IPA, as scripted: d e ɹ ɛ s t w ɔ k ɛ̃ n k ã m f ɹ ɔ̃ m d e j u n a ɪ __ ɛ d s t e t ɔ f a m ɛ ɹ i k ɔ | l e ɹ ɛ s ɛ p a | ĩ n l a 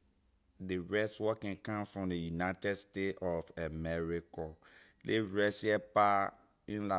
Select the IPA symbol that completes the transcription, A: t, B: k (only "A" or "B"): A